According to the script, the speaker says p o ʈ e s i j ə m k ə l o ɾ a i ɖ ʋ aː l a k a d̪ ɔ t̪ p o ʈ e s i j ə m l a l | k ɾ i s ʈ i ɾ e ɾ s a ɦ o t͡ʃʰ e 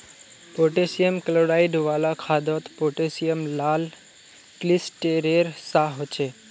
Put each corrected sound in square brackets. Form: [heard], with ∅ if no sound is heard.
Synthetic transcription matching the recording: p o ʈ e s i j ə m k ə l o ɾ a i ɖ ʋ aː l a [kʰ] a d̪ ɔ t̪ p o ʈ e s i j ə m l a l | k [l] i s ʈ [e] ɾ e ɾ s a ɦ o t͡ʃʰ e